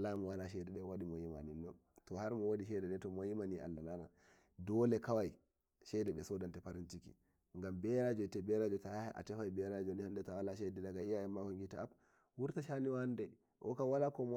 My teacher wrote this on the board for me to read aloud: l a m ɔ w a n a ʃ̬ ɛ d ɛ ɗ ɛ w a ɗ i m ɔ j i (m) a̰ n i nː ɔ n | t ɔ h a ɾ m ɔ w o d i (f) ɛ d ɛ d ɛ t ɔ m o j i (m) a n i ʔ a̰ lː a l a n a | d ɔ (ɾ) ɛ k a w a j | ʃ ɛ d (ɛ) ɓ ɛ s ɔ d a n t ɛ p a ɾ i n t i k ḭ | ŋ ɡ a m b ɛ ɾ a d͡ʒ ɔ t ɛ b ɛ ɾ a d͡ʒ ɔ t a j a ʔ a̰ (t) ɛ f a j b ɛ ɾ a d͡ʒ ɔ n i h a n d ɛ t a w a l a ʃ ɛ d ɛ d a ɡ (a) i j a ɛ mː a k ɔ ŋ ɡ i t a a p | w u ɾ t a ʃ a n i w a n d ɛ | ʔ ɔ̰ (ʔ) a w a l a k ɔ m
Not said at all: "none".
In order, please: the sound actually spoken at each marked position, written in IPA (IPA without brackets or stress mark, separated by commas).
m, ʃ, m, l, ɛ, t, a, k